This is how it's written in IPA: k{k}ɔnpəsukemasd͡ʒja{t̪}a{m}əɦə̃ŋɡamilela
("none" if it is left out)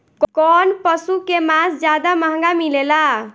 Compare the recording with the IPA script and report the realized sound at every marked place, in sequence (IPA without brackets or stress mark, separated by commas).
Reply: k, d̪, m